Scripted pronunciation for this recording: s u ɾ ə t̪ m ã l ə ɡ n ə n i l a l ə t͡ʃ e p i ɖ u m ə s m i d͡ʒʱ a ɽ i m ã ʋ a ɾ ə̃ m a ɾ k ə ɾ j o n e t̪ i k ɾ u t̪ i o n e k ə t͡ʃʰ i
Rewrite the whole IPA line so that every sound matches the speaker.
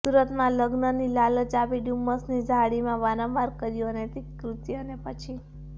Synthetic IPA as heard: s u ɾ ə t̪ m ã l ə ɡ n ə n i l a l ə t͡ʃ a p i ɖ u m ə s n i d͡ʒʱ a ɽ i m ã ʋ a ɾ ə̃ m a ɾ k ə ɾ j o n e t̪ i k ɾ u t̪ j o n e p ə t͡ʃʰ i

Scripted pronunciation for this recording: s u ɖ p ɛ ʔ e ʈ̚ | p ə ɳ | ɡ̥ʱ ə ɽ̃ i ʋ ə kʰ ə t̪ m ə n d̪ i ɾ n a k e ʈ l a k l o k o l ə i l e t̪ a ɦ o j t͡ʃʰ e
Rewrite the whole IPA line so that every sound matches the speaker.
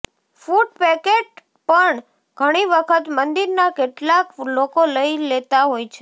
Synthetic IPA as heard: f u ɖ p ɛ k e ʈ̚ | p ə ɳ | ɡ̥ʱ ə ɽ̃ i ʋ ə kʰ ə t̪ m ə n d̪ i ɾ n a k e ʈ l a k l o k o l ə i l e t̪ a ɦ o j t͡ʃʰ e

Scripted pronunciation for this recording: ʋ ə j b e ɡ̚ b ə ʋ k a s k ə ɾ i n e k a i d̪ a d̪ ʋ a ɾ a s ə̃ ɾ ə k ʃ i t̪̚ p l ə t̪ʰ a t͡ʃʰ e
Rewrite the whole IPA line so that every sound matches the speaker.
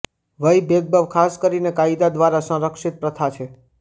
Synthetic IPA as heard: ʋ ə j b e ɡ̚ b ə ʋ kʰ a s k ə ɾ i n e k a i d̪ a d̪ ʋ a ɾ a s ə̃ ɾ ə k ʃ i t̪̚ p ɾ ə t̪ʰ a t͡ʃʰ e

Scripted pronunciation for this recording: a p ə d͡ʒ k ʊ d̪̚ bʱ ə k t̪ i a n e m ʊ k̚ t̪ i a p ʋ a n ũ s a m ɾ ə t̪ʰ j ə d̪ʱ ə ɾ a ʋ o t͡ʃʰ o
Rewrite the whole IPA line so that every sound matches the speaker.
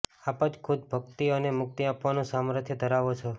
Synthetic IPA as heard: a p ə d͡ʒ kʰ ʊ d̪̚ bʱ ə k t̪ i ə n e m ʊ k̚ t̪ i a p ʋ a n ũ s a m ɾ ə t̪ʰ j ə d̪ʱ ə ɾ a ʋ o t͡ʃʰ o

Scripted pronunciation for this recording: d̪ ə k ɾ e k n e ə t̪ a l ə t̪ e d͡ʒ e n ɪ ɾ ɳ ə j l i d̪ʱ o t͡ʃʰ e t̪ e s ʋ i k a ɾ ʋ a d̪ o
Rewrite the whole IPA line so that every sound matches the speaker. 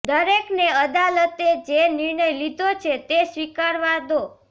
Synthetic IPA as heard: d̪ ə ɾ e k n e ə d̪ a l ə t̪ e d͡ʒ e n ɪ ɾ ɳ ə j l i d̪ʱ o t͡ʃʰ e t̪ e s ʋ i k a ɾ ʋ a d̪ o

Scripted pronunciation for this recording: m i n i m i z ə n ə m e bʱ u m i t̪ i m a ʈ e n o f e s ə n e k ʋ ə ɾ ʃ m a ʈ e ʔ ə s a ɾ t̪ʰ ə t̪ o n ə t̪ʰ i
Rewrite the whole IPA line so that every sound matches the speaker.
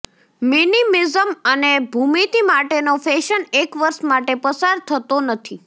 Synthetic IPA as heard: m i n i m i z ə m ə n e bʱ u m i t̪ i m a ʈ e n o f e ʃ ə n e k ʋ ə ɾ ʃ m a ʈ e p ə s a ɾ t̪ʰ ə t̪ o n ə t̪ʰ i

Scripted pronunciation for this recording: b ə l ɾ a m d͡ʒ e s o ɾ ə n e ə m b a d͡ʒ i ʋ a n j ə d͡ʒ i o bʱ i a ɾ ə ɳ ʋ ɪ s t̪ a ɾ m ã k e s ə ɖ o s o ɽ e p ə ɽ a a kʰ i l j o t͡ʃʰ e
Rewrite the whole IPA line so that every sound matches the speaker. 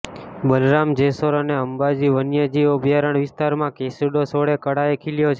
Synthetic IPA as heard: b ə l ɾ a m d͡ʒ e s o ɾ ə n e ə m b a d͡ʒ i ʋ ə n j ə d͡ʒ i o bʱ j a ɾ ə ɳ ʋ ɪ s t̪ a ɾ m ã k e s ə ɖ o s o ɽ e k ə ɽ a e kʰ i l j o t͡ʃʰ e

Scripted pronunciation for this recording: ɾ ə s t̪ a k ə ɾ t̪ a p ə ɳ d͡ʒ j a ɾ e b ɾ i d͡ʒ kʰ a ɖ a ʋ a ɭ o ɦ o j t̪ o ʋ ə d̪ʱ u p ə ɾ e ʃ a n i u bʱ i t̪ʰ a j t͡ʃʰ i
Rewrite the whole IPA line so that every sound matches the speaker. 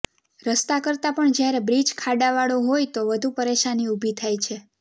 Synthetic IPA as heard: ɾ ə s t̪ a k ə ɾ t̪ a p ə ɳ d͡ʒ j a ɾ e b ɾ i d͡ʒ kʰ a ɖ a ʋ a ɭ o ɦ o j t̪ o ʋ ə d̪ʱ u p ə ɾ e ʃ a n i u bʱ i t̪ʰ a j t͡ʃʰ e

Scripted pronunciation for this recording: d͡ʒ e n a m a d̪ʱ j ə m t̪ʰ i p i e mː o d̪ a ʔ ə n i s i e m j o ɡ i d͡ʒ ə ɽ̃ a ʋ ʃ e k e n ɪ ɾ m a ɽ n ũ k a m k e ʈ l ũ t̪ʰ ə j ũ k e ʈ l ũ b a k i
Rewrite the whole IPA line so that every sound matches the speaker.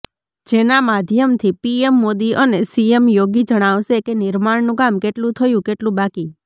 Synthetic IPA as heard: d͡ʒ e n a m a d̪ʱ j ə m t̪ʰ i p i e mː o d̪ i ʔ ə n e s i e m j o ɡ i d͡ʒ ə ɽ̃ a ʋ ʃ e k e n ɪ ɾ m a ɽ n ũ k a m k e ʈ l ũ t̪ʰ ə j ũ k e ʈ l ũ b a k i

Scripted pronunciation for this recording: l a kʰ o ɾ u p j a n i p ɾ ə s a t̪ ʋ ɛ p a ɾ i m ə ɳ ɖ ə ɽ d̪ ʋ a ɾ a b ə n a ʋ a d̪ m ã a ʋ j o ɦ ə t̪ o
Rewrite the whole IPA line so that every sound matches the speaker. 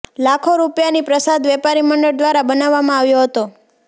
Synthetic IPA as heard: l a kʰ o ɾ u p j a n i p ɾ ə s a d̪ ʋ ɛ p a ɾ i m ə ɳ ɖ ə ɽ d̪ ʋ a ɾ a b ə n a ʋː a m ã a ʋ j o ɦ ə t̪ o

